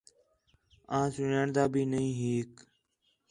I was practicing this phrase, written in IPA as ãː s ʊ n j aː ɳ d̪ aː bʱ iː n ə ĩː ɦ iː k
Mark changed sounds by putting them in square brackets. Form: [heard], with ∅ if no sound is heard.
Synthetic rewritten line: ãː s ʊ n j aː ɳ d̪ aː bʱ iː n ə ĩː ɦ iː k